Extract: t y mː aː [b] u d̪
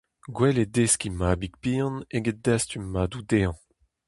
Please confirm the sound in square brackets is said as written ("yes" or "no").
no